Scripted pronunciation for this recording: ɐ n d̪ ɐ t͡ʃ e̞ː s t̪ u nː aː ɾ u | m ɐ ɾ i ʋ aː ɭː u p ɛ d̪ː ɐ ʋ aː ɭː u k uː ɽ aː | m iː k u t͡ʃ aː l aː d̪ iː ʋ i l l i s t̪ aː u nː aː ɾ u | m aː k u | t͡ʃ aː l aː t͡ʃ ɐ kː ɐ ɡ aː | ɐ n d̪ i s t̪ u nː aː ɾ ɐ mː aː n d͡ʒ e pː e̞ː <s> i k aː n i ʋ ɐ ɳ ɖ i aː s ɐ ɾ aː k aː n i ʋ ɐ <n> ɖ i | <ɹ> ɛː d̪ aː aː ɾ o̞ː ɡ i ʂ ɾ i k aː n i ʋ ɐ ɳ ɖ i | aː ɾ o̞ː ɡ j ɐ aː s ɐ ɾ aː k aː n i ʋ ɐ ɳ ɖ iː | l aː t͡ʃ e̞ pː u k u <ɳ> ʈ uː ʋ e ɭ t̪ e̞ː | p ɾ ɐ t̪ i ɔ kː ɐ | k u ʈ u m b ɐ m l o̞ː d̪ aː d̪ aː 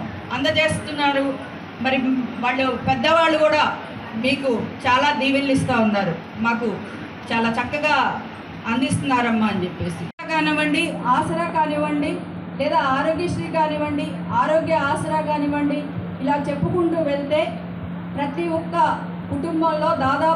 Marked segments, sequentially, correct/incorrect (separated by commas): correct, incorrect, incorrect, correct